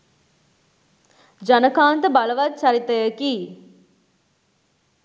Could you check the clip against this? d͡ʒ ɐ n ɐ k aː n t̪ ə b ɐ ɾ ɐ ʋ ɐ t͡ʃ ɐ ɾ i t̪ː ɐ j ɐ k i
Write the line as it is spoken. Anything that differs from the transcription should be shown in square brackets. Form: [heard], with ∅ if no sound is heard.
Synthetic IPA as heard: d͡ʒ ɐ n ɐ k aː n t̪ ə b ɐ [l] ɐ ʋ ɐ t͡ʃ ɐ ɾ i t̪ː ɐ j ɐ k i